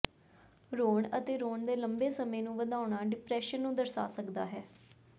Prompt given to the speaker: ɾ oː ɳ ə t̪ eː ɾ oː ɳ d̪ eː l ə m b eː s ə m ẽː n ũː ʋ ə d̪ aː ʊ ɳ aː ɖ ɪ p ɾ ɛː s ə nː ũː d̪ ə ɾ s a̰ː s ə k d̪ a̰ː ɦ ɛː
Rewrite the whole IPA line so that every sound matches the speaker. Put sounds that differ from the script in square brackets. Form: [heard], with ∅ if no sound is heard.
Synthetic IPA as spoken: ɾ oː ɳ ə t̪ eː ɾ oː ɳ d̪ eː l ə m b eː s ə m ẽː n ũː ʋ ə d̪ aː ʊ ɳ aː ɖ ɪ p ɾ ɛː [ʃ] ə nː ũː d̪ ə ɾ s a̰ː s ə k d̪ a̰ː ɦ ɛː